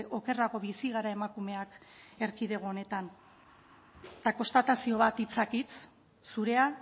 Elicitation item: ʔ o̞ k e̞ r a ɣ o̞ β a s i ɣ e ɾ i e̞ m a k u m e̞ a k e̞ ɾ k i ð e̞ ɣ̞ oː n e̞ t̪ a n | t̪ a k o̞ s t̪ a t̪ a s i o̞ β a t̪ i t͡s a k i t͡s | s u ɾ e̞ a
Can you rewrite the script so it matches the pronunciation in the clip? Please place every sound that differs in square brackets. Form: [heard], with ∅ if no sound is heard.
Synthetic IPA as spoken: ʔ o̞ k e̞ r a ɣ o̞ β [i] s i ɣ [a] ɾ [a] e̞ m a k u m e̞ a k e̞ ɾ k i ð e̞ ɣ̞ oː n e̞ t̪ a n | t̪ a k o̞ s t̪ a t̪ a s i o̞ β a t̪ i t͡s a k i t͡s | s u ɾ e̞ a